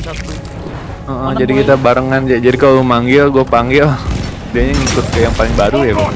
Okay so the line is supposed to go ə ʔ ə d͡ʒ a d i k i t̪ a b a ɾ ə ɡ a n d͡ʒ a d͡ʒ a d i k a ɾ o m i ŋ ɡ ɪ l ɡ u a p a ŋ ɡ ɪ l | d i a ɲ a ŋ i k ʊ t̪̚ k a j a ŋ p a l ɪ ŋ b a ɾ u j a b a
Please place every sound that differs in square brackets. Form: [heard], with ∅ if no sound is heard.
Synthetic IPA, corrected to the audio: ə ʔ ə d͡ʒ a d i k i t̪ a b a ɾ ə [ŋ] a n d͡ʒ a d͡ʒ a d i k a [l] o m [a] ŋ ɡ ɪ l ɡ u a p a ŋ ɡ ɪ l | d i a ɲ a ŋ i k ʊ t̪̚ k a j a ŋ p a l ɪ ŋ b a ɾ u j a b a

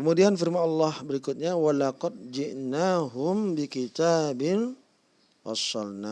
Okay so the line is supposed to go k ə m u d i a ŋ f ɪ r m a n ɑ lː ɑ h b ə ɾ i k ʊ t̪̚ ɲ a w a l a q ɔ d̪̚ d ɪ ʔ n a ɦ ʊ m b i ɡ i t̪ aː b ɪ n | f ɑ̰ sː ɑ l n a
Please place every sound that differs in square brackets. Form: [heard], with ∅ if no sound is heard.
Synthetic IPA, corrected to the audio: k ə m u d i a [n] f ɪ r m a n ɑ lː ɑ h b ə ɾ i k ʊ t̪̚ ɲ a w a l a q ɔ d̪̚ [d͡ʒ] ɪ ʔ n a ɦ ʊ m b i [k] i t̪ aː b ɪ n | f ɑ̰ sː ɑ l n a

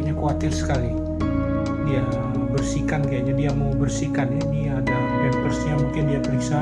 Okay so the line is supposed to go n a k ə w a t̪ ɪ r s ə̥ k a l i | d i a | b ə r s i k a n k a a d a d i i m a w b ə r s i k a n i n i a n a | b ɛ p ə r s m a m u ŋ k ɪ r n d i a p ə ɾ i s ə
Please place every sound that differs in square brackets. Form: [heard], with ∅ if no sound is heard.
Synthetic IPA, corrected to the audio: [ɲ] a k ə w a t̪ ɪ r s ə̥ k a l i | d i a | b ə r s i k a n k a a [d͡ʒ] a d i [a] m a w b ə r s i k a n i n i a [d] a | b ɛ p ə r s [ɲ] a m u ŋ k ɪ [∅] n d i a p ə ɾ i s [a]

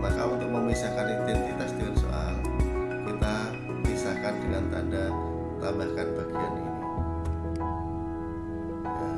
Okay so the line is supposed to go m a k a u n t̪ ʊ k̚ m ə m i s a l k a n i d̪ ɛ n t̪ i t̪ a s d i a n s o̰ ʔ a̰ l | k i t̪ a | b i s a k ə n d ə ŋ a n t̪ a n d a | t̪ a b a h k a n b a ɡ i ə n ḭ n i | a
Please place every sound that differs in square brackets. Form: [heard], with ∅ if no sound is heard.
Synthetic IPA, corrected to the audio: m a k a u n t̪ ʊ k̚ m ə m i s a [∅] k a n i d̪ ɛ n t̪ i t̪ a s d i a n s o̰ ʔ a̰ l | k i t̪ a | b i s a k [a] n d ə ŋ a n t̪ a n d a | t̪ a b a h k a n b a ɡ i [a] n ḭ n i | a

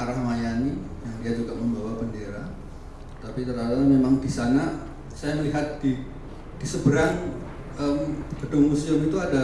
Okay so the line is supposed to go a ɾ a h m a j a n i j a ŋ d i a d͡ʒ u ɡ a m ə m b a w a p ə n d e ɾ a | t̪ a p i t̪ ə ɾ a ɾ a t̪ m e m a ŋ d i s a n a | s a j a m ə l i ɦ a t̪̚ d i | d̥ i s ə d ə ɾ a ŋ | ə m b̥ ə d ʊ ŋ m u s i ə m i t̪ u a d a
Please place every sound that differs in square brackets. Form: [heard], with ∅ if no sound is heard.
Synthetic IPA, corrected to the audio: a ɾ a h m a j a n i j a ŋ d i a d͡ʒ u ɡ a m ə m b a w a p ə n d e ɾ a | t̪ a p i t̪ ə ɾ a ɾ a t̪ m e m a ŋ d i s a n a | s a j a m ə l i ɦ a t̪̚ d i | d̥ i s ə [b] ə ɾ a ŋ | ə m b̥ ə d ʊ ŋ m u s i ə m i t̪ u a d a

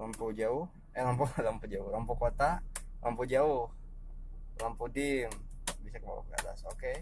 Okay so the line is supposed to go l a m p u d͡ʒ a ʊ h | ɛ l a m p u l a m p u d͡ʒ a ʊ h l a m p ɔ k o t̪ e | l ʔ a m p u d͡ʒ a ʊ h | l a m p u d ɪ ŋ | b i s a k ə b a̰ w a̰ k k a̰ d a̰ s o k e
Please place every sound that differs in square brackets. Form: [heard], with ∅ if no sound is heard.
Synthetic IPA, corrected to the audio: l a m p u d͡ʒ a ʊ h | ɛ l a m p u l a m p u d͡ʒ a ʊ h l a m p [u] k o t̪ [a] | l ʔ a m p u d͡ʒ a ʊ h | l a m p u d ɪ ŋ | b i s a k ə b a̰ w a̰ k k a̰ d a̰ s o k e

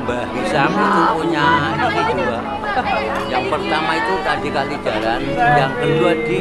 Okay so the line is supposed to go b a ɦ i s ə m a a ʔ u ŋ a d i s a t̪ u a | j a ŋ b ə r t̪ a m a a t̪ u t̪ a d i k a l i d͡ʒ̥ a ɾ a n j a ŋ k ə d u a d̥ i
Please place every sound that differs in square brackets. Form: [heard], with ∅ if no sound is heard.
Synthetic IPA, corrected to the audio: b a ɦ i s [a] m a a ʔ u [ɲ] a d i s [i] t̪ u a | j a ŋ [p] ə r t̪ a m a [i] t̪ u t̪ a d i k a l i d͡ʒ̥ a ɾ a n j a ŋ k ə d u a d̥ i

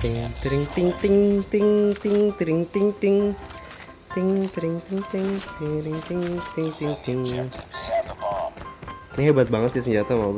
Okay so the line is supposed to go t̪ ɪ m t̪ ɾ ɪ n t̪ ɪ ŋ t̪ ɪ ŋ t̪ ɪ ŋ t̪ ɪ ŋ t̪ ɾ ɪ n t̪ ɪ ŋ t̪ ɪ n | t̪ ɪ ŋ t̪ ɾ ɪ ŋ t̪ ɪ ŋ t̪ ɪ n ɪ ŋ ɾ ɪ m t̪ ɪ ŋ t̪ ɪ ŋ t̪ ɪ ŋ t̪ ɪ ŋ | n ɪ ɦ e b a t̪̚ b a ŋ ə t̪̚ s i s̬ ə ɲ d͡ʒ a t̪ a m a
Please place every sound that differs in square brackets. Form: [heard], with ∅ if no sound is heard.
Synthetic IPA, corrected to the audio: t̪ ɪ [ŋ] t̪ ɾ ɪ [ŋ] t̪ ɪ ŋ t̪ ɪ ŋ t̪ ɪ ŋ t̪ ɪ ŋ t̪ ɾ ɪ [ŋ] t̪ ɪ ŋ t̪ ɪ [ŋ] | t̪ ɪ ŋ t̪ ɾ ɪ ŋ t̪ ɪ ŋ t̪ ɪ [ŋ] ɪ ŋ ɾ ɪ [ŋ] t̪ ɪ ŋ t̪ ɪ ŋ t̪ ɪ ŋ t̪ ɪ ŋ | n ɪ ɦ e b a t̪̚ b a ŋ ə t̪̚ s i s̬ ə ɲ d͡ʒ a t̪ a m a

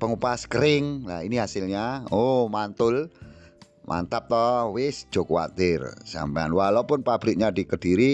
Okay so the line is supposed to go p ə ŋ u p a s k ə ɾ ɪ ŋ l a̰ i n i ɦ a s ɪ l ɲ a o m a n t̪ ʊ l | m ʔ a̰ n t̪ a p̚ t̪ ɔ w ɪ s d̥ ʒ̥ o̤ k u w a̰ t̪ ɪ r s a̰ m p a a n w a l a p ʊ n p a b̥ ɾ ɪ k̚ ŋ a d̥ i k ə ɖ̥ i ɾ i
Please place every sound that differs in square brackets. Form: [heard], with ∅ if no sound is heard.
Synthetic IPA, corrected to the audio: p ə ŋ u p a s k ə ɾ ɪ ŋ l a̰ i n i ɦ a s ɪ l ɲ a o m a n t̪ ʊ l | m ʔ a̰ n t̪ a p̚ t̪ ɔ w ɪ s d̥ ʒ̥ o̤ k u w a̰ t̪ ɪ r s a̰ m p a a n w a l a p ʊ n p a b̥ ɾ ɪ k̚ [ɲ] a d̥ i k ə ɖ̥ i ɾ i

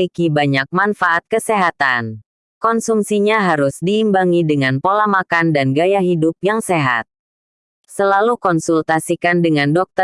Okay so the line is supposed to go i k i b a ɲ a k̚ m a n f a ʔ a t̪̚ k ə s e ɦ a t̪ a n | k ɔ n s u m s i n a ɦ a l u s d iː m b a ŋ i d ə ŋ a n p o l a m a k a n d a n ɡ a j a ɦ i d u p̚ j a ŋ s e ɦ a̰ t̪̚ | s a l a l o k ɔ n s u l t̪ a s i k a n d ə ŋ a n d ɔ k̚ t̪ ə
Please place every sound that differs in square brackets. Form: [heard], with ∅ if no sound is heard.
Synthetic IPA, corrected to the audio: i k i b a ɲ a k̚ m a n f a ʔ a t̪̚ k ə s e ɦ a t̪ a n | k ɔ n s u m s i [ɲ] a ɦ a [ɾ] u s d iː m b a ŋ i d ə ŋ a n p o l a m a k a n d a n ɡ a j a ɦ i d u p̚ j a ŋ s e ɦ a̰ t̪̚ | s [ə] l a l [u] k ɔ n s u l t̪ a s i k a n d ə ŋ a n d ɔ k̚ t̪ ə

